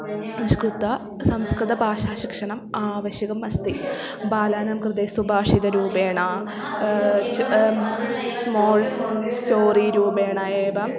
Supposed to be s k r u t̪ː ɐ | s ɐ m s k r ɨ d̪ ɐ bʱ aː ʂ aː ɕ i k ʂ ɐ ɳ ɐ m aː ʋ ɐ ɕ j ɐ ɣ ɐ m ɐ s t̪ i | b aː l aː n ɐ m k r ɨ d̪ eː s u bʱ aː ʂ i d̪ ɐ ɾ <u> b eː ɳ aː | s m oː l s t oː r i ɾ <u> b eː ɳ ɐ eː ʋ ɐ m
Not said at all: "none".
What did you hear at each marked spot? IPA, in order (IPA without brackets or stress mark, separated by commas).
uː, uː